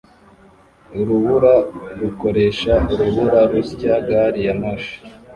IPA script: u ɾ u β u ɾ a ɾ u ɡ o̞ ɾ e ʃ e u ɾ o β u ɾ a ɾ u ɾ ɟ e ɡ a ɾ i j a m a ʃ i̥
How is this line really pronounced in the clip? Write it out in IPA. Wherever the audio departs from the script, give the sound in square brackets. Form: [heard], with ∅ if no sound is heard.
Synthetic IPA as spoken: u ɾ u β u ɾ a ɾ u [k] o̞ ɾ e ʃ [a] u ɾ [u] β u ɾ a ɾ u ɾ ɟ [a] ɡ a ɾ i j a m a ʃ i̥